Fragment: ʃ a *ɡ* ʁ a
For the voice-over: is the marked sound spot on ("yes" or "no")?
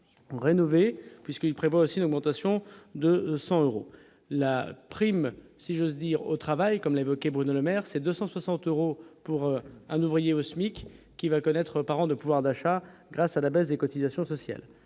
yes